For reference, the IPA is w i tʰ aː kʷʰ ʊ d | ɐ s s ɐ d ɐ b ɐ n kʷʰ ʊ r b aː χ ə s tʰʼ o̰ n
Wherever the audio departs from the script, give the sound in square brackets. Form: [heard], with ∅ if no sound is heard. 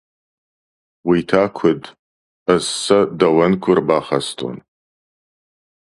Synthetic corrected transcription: w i tʰ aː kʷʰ ʊ d | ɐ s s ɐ d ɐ [w] ɐ n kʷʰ ʊ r b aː χ [ɐ] s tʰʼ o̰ n

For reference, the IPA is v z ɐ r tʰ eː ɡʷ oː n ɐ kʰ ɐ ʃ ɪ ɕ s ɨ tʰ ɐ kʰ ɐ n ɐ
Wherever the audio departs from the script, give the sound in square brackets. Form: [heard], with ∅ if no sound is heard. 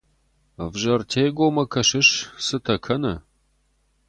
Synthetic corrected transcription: v [ʒ] ɐ r tʰ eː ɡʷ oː [m] ɐ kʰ ɐ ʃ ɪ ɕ s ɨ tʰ ɐ kʰ ɐ n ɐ

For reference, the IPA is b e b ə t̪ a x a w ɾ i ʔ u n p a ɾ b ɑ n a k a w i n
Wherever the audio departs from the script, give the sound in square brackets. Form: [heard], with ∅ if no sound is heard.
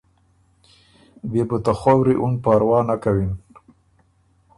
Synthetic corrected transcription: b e b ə t̪ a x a w ɾ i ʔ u n p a ɾ [w] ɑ n a k a w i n

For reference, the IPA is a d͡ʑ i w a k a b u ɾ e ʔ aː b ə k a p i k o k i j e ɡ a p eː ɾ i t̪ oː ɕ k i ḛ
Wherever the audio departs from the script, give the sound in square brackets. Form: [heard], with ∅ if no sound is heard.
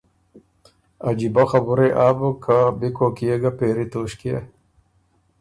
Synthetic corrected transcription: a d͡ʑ i [b] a [x] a b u ɾ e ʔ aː b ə k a [b] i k o k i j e ɡ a p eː ɾ i t̪ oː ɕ k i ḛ

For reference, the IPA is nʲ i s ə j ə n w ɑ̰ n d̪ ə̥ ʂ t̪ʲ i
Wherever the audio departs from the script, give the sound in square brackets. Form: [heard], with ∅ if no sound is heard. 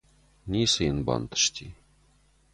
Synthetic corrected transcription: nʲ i s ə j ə n [b] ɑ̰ n [t̪] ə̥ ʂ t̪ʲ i

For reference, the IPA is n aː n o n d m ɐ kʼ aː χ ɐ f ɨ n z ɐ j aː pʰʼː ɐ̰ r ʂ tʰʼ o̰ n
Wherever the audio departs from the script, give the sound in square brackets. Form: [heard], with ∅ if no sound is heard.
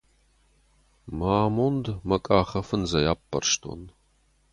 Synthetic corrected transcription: [m] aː [m] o n d m ɐ kʼ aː χ ɐ f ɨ n z ɐ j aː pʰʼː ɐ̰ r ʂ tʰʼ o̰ n

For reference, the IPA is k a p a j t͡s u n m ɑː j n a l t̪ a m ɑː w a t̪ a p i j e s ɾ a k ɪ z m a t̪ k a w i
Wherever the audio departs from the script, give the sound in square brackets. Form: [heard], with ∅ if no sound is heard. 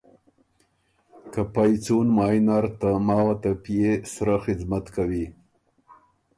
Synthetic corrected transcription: k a p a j t͡s u n m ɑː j n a [ɾ] t̪ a m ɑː w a t̪ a p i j e s ɾ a [x] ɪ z m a t̪ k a w i

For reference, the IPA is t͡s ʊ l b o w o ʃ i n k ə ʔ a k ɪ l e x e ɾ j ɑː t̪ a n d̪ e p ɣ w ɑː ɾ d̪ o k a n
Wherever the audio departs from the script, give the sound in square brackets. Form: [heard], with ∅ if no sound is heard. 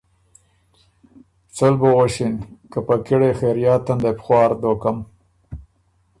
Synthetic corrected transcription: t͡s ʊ l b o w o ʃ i n k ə [p] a k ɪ [ɽ] e x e ɾ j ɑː t̪ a n d̪ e p [x] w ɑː ɾ d̪ o k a [m]

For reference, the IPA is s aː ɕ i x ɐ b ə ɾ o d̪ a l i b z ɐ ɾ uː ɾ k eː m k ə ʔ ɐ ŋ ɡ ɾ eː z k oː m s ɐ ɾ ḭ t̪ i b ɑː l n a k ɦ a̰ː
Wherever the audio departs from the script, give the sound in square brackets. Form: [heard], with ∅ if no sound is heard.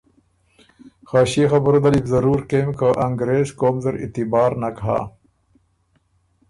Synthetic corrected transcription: [x] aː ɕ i x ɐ b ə ɾ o d̪ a l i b z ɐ ɾ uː ɾ k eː m k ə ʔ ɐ ŋ ɡ ɾ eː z k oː m [z] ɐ ɾ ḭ t̪ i b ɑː [ɾ] n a k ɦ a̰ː

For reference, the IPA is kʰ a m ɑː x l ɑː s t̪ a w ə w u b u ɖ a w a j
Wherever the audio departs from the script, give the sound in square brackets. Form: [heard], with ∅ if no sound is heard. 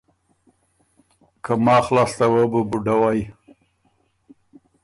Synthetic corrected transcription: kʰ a m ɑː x l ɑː s t̪ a w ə [b] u b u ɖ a w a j

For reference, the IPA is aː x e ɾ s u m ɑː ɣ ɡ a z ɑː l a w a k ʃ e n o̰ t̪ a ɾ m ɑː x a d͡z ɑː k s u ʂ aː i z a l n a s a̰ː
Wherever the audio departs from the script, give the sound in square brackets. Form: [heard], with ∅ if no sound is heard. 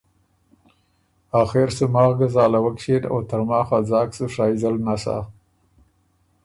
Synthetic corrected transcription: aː x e ɾ s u m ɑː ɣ ɡ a z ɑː l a w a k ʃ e n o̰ t̪ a ɾ m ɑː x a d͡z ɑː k s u ʂ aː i z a l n a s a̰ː

